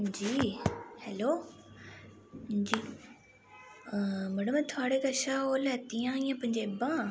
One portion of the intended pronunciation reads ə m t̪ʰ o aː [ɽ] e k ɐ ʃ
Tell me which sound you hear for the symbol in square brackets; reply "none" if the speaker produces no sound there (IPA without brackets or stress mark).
ɽ